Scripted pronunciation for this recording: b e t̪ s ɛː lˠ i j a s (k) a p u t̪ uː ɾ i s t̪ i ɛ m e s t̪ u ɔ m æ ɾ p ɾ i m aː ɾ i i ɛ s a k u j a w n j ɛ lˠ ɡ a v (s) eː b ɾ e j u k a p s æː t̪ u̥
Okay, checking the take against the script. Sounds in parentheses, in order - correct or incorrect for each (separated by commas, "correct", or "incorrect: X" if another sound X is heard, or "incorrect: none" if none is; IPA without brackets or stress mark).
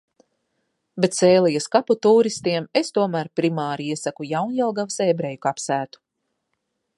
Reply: correct, correct